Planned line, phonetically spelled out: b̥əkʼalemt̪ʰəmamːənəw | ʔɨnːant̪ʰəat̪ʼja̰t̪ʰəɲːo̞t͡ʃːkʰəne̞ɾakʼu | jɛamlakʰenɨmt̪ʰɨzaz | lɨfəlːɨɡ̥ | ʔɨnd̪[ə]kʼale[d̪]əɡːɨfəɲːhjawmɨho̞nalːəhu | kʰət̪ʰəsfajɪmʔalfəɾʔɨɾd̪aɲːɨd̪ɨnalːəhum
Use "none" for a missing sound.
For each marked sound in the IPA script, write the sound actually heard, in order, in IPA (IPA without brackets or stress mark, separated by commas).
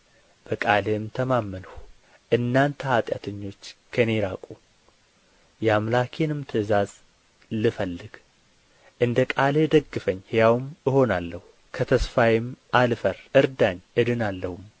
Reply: ə, d̪